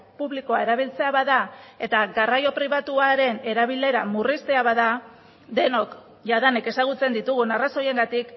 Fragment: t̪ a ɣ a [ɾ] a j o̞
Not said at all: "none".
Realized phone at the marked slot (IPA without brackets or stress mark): r